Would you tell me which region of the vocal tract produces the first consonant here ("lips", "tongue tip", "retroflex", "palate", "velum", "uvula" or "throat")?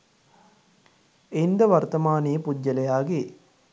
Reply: tongue tip